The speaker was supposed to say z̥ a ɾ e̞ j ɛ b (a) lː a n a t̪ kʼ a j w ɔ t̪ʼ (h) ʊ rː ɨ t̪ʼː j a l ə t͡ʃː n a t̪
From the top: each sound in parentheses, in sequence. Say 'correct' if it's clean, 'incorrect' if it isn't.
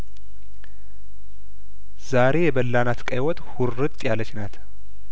incorrect: ə, correct

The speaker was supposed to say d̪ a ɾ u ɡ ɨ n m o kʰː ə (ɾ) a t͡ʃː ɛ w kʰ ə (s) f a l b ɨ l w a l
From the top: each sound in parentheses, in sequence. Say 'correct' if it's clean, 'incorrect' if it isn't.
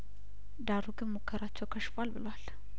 correct, incorrect: ʃ

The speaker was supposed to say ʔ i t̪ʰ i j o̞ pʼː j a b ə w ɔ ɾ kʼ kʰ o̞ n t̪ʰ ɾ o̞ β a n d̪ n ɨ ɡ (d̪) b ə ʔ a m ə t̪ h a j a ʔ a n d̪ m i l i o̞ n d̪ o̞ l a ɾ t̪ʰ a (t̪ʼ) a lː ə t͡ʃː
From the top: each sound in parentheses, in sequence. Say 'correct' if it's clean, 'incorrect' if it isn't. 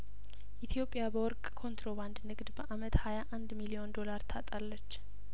correct, correct

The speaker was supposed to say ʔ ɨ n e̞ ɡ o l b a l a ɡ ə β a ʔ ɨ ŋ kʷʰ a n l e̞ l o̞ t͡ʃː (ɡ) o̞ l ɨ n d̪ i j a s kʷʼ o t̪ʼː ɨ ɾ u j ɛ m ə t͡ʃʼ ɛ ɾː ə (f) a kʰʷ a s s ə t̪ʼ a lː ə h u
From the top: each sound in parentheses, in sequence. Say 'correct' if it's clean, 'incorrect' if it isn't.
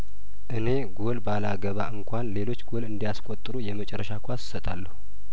correct, incorrect: ʃ

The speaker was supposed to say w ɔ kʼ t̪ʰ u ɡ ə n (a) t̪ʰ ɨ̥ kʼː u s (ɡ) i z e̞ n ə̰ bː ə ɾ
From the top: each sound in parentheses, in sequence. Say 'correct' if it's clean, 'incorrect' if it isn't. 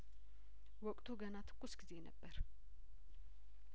correct, correct

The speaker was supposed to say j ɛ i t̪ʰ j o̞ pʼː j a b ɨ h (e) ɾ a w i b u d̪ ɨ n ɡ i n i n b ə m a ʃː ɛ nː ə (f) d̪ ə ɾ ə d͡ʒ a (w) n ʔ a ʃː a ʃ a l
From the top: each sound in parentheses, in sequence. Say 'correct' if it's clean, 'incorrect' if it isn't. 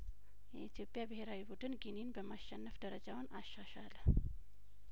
correct, correct, correct

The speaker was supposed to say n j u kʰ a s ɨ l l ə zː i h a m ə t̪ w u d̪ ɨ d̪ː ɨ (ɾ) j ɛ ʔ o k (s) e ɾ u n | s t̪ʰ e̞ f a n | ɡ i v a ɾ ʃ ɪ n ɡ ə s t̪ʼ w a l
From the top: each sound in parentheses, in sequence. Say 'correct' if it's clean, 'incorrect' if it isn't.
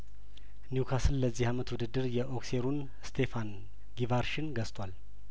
correct, correct

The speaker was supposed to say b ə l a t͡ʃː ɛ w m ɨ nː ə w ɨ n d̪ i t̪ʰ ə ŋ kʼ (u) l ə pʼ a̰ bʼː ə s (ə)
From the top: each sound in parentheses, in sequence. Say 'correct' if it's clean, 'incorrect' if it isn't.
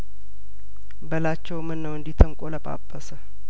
incorrect: o, correct

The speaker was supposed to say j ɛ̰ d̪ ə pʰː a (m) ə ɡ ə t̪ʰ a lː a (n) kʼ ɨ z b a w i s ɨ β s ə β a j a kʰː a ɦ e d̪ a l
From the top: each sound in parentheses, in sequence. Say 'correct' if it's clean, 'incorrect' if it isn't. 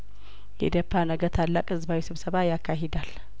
incorrect: n, incorrect: none

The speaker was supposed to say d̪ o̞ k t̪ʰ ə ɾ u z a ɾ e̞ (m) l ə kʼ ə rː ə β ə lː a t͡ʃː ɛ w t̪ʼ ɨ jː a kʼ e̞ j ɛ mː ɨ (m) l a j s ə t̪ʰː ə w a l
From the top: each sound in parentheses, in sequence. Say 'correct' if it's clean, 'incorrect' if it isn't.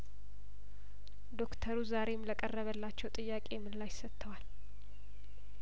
correct, incorrect: n

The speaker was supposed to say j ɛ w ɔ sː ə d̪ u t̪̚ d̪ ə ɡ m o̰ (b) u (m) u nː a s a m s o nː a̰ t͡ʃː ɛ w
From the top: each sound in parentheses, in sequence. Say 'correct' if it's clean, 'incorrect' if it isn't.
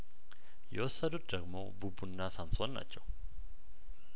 correct, incorrect: b

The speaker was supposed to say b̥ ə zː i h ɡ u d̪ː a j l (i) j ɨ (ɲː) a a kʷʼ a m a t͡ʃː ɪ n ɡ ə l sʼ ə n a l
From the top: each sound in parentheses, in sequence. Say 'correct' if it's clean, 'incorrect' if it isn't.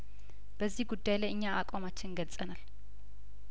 incorrect: a, correct

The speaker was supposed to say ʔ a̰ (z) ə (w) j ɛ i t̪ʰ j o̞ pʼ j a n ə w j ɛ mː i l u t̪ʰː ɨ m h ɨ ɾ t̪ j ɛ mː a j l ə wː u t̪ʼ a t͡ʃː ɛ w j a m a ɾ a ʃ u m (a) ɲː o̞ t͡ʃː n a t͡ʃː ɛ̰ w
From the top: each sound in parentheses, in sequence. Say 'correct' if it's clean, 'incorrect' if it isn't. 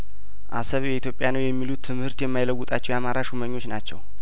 incorrect: s, incorrect: β, incorrect: ə

